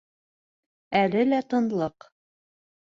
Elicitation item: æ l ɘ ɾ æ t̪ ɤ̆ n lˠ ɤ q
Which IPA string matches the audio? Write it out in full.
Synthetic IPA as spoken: æ l ɘ l æ t̪ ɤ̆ n lˠ ɤ q